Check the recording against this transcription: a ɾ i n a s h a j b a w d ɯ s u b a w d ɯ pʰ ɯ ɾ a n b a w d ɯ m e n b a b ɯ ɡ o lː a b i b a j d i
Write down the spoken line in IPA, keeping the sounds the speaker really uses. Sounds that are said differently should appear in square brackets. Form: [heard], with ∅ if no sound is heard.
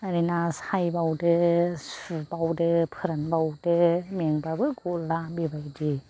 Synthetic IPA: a ɾ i n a s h a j b a w d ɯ s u b a w d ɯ pʰ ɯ ɾ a n b a w d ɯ m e [ŋ] b a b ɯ ɡ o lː a b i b a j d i